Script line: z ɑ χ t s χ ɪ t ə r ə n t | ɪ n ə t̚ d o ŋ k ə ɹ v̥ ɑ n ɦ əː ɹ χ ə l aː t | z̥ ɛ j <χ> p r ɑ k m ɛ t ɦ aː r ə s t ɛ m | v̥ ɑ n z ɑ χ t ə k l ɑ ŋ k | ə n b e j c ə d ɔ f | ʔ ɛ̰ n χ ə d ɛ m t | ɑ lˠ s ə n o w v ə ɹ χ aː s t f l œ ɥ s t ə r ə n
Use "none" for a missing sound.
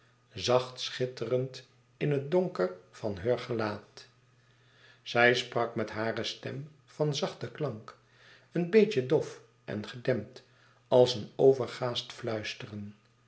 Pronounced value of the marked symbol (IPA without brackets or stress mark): s